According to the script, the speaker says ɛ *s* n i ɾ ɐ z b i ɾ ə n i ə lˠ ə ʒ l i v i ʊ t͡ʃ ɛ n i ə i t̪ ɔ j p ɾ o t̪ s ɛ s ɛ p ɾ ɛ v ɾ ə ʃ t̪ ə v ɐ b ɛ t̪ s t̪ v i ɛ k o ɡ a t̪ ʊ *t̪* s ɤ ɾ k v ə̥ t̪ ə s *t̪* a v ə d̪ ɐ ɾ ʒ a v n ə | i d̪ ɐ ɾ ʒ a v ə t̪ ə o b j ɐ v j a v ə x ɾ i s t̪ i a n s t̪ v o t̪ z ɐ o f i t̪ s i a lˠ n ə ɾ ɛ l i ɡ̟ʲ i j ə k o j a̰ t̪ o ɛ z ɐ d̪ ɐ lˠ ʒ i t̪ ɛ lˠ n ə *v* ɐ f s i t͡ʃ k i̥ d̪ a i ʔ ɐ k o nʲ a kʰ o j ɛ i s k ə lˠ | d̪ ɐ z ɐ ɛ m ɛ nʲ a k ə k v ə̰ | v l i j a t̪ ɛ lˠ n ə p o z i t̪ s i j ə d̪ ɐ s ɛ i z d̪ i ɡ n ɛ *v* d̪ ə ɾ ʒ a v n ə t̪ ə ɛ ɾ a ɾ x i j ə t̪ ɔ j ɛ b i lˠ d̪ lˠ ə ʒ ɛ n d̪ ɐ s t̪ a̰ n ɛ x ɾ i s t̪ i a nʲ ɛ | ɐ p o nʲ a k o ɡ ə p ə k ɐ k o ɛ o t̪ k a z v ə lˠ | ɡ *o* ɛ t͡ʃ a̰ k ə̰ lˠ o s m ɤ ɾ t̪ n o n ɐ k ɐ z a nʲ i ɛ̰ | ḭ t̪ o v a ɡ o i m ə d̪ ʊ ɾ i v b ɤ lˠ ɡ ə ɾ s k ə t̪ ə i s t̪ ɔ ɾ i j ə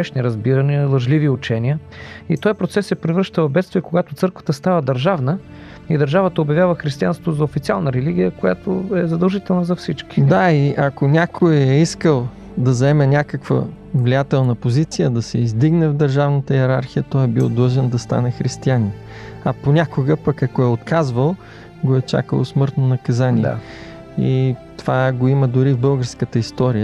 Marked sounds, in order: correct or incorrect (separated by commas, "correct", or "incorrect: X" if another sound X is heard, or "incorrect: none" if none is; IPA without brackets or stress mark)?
incorrect: ʃ, correct, correct, incorrect: z, correct, correct